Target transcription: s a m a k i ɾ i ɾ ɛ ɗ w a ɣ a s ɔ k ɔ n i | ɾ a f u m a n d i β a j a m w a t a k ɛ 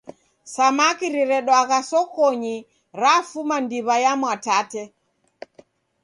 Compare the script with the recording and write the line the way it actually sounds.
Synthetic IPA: s a m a k i ɾ i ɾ ɛ ɗ w a ɣ a s ɔ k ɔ ɲ i | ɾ a f u m a n d i β a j a m w a t a t ɛ